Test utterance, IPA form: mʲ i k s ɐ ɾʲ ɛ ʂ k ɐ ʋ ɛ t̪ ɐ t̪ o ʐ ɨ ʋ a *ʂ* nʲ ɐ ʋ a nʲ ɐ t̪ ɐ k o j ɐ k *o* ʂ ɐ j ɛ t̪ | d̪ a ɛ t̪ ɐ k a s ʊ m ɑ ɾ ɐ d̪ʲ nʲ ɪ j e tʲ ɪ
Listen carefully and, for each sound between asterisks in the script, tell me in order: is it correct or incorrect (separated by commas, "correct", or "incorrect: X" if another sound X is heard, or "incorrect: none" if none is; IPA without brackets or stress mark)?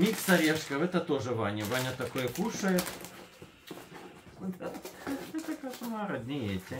incorrect: none, incorrect: u